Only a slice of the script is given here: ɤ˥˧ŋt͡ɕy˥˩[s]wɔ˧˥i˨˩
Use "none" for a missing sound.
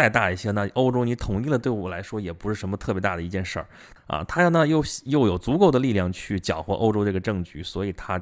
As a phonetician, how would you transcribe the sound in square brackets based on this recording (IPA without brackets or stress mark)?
s